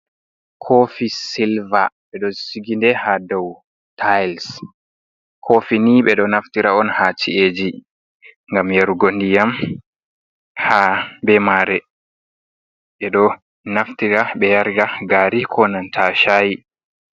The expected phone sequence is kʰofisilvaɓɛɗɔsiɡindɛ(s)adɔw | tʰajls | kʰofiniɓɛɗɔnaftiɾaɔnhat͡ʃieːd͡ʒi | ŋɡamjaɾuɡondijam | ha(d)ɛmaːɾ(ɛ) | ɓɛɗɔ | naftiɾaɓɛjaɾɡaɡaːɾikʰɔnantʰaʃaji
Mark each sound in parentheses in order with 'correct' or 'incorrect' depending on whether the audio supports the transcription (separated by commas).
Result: incorrect, incorrect, correct